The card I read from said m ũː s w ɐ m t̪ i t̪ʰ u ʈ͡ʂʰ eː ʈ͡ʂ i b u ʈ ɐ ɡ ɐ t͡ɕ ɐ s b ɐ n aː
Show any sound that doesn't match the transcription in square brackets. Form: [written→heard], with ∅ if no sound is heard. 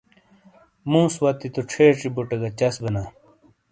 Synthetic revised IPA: m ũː s w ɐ [m→∅] t̪ i [t̪ʰ→t̪] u ʈ͡ʂʰ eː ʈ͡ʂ i b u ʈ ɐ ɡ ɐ t͡ɕ ɐ s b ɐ n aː